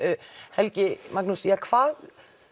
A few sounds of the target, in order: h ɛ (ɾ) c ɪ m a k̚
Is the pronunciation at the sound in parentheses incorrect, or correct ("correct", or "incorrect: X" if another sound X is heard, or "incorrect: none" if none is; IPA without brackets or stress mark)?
incorrect: l